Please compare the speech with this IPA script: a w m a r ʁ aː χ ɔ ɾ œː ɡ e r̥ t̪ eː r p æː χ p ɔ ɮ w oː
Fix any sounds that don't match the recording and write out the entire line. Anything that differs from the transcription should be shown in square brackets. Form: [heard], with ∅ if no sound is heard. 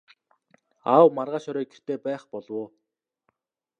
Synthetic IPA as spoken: a w m a r ʁ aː [ʃ] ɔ ɾ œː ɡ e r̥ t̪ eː [∅] p æː χ p ɔ ɮ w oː